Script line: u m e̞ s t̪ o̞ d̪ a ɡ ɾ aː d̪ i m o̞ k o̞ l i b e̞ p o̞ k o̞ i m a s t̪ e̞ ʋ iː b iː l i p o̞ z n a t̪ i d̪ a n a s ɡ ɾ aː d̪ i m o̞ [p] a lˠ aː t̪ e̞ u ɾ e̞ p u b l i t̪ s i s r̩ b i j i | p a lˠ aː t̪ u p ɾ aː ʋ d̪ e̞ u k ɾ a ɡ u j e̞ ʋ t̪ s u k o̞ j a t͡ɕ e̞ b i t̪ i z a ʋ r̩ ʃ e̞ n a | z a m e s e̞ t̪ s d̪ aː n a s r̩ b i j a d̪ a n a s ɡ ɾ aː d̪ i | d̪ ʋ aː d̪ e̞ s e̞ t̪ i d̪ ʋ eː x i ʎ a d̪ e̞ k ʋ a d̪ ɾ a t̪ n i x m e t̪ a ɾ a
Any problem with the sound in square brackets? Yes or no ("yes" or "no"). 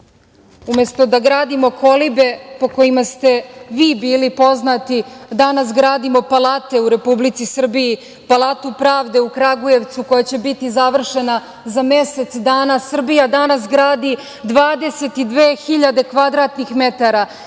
no